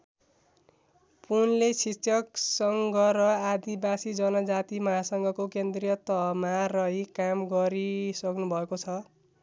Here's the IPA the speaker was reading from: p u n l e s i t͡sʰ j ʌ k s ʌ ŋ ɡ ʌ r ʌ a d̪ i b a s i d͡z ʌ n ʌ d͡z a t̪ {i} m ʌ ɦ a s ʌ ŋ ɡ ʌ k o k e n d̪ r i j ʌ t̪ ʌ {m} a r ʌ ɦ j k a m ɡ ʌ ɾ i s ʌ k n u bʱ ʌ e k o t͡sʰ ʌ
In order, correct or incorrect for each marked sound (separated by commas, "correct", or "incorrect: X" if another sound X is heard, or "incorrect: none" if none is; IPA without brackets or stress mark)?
correct, correct